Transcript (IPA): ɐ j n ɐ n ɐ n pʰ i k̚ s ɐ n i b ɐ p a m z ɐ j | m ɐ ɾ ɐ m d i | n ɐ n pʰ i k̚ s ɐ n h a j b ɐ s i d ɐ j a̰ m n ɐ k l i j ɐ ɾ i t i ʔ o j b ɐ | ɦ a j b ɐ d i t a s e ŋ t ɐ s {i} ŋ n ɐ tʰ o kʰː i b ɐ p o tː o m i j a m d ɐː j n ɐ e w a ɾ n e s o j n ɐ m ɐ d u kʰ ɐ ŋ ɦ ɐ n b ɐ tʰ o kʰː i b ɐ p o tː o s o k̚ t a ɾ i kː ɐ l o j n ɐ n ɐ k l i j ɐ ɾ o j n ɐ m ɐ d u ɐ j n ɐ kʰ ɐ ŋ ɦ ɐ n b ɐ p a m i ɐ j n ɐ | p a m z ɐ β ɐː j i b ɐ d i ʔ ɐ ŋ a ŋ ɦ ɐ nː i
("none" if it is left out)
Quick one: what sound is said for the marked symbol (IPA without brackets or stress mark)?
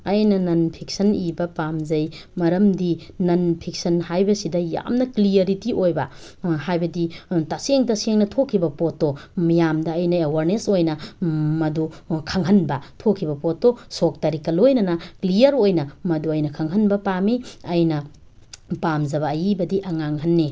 e